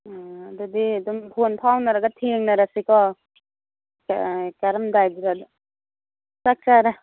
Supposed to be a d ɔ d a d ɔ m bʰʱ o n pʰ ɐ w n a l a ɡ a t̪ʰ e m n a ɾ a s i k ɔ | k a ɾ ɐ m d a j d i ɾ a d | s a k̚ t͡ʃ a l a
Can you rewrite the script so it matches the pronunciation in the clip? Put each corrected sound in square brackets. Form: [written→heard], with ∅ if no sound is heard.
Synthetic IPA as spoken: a d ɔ d [a→i] d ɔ m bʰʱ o n pʰ [ɐ→a] w n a [l→ɾ] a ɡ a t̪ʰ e [m→ŋ] n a ɾ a s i k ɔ | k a ɾ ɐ m d a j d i ɾ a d | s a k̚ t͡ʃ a [l→ɾ] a

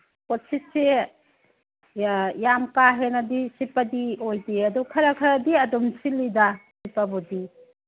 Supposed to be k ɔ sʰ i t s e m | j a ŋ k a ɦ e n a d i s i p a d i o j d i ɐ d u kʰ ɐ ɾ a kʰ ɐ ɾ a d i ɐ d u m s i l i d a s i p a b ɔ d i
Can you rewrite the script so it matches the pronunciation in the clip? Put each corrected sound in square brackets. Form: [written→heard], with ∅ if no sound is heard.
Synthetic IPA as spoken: k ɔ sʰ i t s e [m→∅] | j a [ŋ→m] k a ɦ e n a d i s i p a d i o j d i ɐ d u kʰ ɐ ɾ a kʰ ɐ ɾ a d i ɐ d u m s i l i d a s i p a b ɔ d i

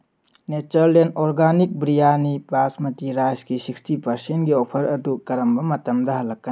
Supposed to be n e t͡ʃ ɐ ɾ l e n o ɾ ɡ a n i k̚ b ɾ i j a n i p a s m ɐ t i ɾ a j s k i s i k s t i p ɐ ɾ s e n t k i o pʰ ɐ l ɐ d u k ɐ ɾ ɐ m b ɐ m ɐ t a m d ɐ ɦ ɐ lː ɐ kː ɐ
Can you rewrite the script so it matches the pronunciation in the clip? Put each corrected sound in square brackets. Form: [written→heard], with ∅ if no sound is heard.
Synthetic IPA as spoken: n e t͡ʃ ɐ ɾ l e n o ɾ ɡ a n i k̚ b ɾ i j a n i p a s m ɐ t i ɾ a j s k i s i k s t i p ɐ ɾ s e n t [k→ɡ] i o pʰ ɐ [l→ɾ] ɐ d u k ɐ ɾ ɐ m b ɐ m ɐ t [a→ɐ] m d ɐ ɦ ɐ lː ɐ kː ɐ

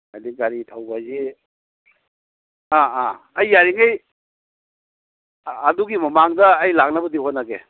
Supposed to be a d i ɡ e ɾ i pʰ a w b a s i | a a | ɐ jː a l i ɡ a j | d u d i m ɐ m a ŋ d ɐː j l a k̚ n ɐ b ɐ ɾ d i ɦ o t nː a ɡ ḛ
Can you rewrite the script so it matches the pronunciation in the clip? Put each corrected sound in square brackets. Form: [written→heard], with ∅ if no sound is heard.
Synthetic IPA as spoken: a d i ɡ [e→a] ɾ i [pʰ→tʰ] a w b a [s→z] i | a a | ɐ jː a [l→ɾ] i [ɡ→ŋ] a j | d u [d→ɡ] i m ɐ m a ŋ d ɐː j l a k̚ n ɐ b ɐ [ɾ→∅] d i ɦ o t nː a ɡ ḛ

